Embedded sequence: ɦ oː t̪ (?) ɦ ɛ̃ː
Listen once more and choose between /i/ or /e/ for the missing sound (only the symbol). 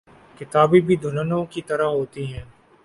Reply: i